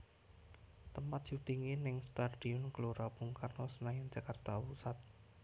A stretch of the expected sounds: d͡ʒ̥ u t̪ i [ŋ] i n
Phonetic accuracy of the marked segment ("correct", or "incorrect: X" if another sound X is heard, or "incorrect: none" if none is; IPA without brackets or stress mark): correct